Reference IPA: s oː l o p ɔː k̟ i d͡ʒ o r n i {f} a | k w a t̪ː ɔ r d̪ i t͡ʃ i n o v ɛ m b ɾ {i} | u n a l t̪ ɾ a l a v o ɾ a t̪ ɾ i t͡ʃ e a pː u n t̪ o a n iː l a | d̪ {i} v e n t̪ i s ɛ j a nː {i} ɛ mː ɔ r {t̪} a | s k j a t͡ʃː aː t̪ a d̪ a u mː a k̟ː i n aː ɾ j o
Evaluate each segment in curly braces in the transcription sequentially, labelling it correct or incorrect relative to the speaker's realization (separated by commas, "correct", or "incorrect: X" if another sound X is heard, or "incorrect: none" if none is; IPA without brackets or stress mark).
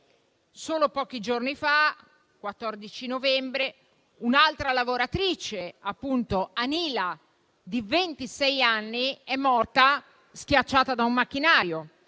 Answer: correct, incorrect: e, correct, correct, correct